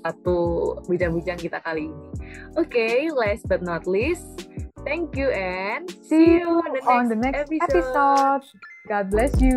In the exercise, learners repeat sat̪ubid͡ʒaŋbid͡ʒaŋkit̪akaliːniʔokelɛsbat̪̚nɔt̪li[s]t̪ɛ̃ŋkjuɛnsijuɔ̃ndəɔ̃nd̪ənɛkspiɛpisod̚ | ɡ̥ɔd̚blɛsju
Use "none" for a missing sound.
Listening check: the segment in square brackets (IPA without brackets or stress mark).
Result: s